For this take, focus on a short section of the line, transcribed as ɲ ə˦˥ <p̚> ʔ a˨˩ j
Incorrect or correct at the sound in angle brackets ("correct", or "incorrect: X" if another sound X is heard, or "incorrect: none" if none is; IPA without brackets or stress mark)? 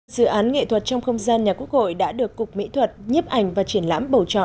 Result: correct